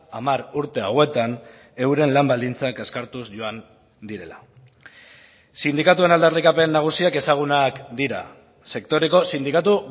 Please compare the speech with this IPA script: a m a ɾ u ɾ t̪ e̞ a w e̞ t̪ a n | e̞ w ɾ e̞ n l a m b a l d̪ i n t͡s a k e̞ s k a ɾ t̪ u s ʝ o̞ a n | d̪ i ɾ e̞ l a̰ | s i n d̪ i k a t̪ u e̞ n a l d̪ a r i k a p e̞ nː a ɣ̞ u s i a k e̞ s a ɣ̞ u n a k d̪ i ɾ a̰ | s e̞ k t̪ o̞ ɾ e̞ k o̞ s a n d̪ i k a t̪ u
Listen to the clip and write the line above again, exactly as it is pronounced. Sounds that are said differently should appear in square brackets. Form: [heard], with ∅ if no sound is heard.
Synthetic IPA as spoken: a m a ɾ u ɾ t̪ e̞ a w e̞ t̪ a n | e̞ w ɾ e̞ n l a m b a l d̪ i n t͡s a k e̞ s k a ɾ t̪ u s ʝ o̞ a n | d̪ i ɾ e̞ l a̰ | s i n d̪ i k a t̪ u e̞ n a l d̪ a r i k a p e̞ nː a ɣ̞ u s i a k e̞ s a ɣ̞ u n a k d̪ i ɾ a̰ | s e̞ k t̪ o̞ ɾ e̞ k o̞ s [i] n d̪ i k a t̪ u